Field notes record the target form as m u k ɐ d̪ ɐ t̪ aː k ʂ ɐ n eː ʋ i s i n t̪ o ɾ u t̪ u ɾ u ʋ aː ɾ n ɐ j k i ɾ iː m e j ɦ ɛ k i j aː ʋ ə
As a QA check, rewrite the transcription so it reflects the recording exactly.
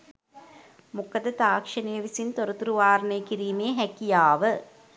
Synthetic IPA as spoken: m u k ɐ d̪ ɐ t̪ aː k ʂ ɐ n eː ʋ i s i n t̪ o ɾ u t̪ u ɾ u ʋ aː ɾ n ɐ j k i ɾ iː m e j ɦ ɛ k i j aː ʋ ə